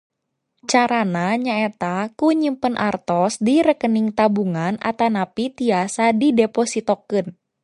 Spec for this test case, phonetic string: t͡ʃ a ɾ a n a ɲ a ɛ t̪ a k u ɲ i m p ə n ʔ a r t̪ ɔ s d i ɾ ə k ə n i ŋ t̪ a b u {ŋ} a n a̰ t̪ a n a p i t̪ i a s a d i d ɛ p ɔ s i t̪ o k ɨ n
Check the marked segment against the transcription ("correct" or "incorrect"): correct